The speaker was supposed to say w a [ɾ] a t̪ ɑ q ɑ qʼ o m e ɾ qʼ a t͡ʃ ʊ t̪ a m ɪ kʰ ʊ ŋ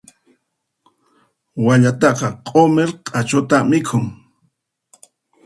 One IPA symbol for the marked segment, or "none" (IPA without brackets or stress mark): ʎ